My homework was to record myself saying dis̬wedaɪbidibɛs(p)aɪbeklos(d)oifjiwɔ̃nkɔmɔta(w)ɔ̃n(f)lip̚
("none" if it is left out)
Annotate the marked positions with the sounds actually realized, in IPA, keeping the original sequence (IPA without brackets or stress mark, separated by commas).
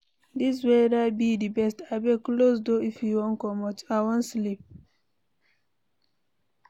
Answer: t, d, w, s